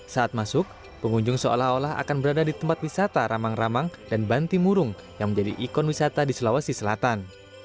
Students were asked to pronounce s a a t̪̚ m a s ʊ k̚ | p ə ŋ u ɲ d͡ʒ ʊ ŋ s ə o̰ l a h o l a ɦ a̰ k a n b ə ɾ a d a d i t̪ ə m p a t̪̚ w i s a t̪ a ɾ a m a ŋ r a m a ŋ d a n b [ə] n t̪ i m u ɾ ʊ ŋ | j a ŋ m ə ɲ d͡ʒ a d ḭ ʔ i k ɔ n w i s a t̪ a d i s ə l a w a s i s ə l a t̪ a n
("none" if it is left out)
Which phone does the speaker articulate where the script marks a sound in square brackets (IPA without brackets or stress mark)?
a